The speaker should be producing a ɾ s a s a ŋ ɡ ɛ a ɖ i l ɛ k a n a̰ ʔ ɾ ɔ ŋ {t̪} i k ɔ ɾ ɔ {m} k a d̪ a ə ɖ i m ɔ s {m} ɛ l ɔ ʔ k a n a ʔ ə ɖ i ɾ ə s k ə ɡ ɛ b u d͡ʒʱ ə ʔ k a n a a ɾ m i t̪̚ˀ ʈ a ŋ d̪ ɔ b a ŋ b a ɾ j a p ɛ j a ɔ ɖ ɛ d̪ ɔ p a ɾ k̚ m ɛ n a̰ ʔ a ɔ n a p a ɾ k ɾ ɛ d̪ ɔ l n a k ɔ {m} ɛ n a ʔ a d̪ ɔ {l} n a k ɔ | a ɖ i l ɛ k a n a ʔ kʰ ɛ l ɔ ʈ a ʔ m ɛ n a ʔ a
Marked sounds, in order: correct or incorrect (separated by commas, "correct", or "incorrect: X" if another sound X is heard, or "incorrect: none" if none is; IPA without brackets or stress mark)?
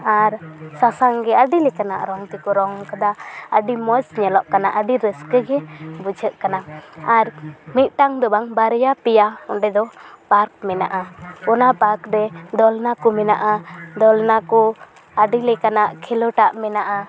correct, incorrect: ŋ, incorrect: ɲ, correct, correct